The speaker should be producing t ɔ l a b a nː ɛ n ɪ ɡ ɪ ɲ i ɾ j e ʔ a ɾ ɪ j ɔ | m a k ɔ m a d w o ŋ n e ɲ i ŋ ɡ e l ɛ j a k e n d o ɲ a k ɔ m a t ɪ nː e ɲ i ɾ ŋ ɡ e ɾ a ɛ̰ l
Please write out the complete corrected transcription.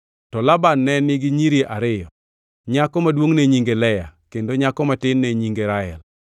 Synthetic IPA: t ɔ l a b a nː ɛ n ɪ ɡ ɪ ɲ i ɾ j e ʔ a ɾ ɪ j ɔ | ɲ a k ɔ m a d w o ŋ n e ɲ i ŋ ɡ e l ɛ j a k e n d o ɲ a k ɔ m a t ɪ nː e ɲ i ŋ ɡ e ɾ a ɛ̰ l